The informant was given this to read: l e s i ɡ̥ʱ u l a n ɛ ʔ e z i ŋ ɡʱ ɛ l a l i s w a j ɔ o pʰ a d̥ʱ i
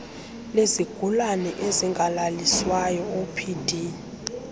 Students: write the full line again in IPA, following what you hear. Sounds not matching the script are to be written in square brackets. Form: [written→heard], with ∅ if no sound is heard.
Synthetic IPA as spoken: l e [s→z] i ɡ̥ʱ u l a n ɛ ʔ e z i ŋ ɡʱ [ɛ→a] l a l i s w a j ɔ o pʰ [a→i] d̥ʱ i